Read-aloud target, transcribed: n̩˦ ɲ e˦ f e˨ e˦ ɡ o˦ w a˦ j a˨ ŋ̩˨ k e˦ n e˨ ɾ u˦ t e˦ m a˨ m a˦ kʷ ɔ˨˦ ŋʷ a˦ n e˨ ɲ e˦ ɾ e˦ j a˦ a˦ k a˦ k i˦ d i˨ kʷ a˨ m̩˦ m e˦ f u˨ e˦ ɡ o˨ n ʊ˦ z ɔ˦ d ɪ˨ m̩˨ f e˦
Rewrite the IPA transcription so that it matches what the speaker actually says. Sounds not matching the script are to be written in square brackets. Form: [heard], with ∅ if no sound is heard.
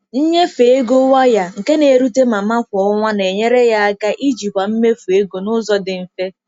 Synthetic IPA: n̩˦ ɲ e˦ f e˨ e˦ ɡ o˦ w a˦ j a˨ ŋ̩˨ k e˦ n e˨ ɾ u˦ t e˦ m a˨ m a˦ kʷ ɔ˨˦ ŋʷ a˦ n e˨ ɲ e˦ ɾ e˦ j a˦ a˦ k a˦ [ʔ] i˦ [d͡ʒ] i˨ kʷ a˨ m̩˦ m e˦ f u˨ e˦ ɡ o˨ n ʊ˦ z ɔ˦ d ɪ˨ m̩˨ f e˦